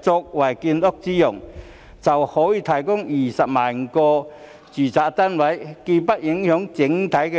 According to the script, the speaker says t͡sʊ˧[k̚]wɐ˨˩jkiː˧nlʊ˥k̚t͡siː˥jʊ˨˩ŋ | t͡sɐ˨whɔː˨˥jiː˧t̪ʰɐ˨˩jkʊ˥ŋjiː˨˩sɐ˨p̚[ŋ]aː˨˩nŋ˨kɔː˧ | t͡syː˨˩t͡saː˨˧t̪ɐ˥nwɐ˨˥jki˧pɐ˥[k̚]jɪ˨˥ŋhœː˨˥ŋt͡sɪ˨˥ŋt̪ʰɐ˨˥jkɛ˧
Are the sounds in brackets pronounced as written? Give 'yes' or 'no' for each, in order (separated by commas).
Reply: yes, no, no